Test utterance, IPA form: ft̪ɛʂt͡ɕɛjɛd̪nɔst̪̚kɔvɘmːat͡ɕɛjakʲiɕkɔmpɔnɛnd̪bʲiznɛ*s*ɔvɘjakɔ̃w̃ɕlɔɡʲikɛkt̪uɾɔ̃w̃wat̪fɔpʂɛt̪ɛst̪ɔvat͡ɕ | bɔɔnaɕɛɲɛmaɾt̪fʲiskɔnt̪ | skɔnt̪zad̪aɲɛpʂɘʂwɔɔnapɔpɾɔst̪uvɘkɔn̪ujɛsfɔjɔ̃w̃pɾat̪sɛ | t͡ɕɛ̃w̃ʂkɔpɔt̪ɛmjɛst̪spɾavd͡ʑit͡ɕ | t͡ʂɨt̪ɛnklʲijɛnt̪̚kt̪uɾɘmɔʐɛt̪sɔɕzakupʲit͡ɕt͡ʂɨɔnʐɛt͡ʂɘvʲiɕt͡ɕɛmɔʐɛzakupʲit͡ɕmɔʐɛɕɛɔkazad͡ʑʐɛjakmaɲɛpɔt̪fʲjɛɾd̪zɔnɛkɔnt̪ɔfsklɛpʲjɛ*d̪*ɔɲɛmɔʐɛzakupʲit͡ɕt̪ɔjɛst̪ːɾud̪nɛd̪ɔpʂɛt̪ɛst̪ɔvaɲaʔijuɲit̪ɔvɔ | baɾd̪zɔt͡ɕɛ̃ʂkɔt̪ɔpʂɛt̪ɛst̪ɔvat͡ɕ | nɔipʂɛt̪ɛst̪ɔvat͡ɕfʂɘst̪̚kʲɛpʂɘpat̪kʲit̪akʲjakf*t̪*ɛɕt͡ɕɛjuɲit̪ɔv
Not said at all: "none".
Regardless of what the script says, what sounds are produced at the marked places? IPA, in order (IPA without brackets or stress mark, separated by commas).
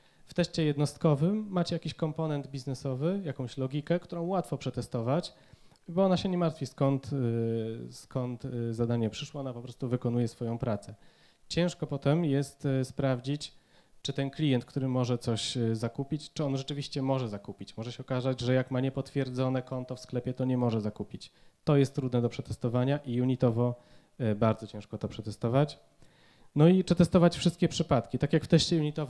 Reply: s, t̪, t̪